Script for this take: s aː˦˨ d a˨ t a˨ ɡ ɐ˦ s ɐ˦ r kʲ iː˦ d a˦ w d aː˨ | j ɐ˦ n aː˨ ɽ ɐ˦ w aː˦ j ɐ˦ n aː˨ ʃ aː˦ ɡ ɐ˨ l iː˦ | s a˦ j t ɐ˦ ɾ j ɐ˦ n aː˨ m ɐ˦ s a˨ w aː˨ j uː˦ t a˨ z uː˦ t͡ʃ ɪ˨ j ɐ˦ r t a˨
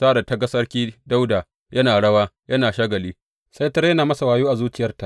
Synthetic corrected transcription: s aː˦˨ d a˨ t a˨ ɡ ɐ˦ s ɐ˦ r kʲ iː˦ d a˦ w d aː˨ | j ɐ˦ n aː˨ ɽ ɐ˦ w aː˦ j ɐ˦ n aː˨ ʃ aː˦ ɡ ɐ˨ l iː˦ | s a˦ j t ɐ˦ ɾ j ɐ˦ n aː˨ m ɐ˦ s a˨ w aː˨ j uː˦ ʔ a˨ z uː˦ t͡ʃ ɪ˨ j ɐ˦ r t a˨